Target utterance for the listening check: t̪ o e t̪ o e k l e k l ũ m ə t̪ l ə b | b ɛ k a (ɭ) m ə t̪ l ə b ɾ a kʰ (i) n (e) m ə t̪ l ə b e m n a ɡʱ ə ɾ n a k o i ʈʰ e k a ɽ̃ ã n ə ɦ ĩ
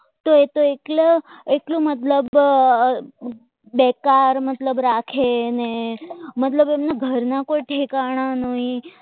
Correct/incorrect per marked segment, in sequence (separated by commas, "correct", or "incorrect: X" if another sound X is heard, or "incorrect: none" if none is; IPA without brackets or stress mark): incorrect: ɾ, incorrect: e, correct